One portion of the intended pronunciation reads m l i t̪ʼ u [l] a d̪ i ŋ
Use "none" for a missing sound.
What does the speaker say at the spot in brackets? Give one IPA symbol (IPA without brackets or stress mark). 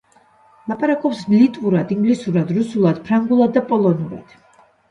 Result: ɾ